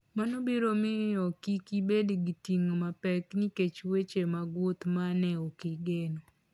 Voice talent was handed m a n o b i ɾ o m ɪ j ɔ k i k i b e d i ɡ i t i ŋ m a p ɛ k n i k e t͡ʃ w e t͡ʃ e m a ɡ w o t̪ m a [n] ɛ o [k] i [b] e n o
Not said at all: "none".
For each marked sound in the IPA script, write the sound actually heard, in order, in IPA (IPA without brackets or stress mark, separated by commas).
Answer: n, k, ɡ